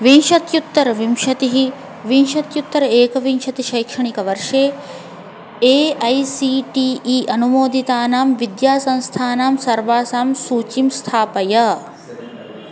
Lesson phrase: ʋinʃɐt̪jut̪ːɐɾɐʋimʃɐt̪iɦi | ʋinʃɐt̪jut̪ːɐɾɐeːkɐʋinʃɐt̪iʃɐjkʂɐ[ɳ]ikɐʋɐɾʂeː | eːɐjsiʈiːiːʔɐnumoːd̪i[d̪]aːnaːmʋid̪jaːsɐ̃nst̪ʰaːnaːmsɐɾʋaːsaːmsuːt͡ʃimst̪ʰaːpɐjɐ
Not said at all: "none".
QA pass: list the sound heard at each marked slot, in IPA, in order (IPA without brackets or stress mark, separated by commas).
ɳ, t̪